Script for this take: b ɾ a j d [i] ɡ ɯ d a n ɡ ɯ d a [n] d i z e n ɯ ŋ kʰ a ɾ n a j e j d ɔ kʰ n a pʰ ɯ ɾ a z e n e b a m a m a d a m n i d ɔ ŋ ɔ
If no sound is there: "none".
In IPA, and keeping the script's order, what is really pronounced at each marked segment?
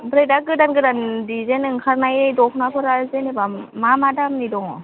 a, n

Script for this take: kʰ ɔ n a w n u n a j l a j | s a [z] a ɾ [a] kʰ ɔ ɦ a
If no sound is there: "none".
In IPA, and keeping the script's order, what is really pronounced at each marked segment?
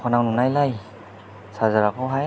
z, a

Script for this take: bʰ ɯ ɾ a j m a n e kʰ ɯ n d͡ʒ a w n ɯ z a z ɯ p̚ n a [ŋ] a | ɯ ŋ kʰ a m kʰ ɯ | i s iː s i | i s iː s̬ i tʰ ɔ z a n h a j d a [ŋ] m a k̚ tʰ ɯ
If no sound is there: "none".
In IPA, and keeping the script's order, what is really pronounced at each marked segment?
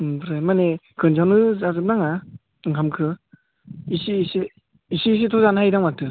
ŋ, ŋ

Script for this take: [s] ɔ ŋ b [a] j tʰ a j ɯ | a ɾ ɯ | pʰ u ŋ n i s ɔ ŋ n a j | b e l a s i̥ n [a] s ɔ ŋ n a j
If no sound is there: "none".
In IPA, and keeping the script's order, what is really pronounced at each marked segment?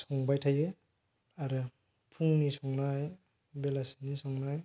s, a, i

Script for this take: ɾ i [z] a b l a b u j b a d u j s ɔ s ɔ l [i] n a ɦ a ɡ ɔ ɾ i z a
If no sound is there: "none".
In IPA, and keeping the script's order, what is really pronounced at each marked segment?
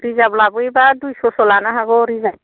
z, a

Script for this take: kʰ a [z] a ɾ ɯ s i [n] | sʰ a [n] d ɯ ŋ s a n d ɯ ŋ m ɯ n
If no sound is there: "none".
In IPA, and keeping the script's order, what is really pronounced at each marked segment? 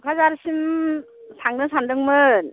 z, m, ŋ

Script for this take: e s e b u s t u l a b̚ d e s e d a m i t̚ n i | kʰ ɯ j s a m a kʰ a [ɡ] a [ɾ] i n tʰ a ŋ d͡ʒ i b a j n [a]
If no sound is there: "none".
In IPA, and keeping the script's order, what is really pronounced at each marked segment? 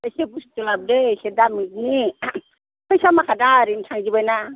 d, ɾ, a

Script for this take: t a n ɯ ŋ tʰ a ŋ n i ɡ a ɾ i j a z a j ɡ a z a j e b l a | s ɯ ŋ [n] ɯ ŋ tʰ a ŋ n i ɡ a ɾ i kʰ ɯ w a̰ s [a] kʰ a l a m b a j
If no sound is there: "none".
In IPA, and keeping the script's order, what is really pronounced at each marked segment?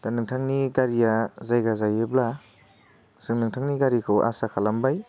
n, a

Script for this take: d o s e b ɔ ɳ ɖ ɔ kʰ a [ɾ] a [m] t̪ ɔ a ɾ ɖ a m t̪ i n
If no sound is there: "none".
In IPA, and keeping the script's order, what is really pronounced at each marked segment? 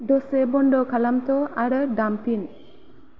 l, m

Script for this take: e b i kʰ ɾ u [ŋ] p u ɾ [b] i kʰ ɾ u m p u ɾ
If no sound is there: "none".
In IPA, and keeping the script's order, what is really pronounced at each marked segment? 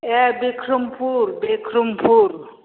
m, b

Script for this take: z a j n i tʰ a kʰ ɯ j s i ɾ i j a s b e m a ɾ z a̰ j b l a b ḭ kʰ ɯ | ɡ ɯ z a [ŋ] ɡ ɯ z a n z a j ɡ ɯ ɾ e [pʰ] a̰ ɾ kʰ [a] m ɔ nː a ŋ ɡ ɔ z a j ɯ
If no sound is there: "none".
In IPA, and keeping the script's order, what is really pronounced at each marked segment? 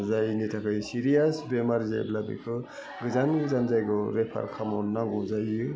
n, pʰ, a

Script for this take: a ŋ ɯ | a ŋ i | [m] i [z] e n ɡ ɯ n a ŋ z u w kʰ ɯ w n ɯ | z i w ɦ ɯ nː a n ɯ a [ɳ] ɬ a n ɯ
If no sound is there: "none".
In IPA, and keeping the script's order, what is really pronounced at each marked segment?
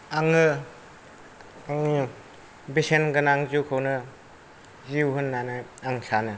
b, s, ŋ

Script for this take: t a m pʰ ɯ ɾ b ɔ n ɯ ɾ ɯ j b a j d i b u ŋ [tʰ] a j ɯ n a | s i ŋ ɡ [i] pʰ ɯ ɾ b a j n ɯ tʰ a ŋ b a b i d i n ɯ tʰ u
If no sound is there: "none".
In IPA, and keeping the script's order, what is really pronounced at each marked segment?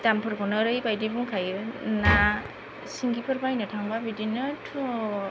kʰ, i

